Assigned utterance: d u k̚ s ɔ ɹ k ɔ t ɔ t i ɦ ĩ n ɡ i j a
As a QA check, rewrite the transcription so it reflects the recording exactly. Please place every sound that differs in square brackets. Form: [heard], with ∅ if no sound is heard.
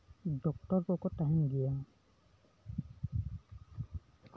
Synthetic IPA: d [ɔ] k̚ [t] ɔ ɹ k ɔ [k] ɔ t [a] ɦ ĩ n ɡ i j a